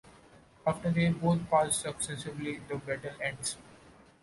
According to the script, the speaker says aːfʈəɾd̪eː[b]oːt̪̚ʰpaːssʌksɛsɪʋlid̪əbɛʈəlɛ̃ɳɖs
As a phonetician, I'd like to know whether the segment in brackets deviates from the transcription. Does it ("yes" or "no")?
no